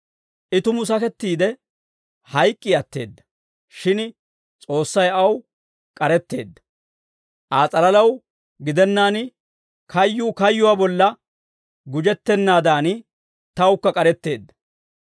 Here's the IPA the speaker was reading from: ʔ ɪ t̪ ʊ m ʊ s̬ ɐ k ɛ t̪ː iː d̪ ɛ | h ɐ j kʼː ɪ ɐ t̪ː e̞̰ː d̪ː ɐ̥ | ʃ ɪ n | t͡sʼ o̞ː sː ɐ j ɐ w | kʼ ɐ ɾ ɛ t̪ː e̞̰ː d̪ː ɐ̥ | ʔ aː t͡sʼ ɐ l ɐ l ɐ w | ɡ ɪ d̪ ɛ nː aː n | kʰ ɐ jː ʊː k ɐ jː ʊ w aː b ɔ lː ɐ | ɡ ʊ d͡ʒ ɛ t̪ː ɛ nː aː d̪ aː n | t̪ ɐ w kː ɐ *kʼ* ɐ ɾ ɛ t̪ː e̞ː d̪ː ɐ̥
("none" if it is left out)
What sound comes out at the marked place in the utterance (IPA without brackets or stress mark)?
kʼ